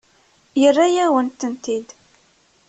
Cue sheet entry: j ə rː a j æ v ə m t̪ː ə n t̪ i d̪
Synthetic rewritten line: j ə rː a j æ w ə n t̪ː ə n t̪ i d̪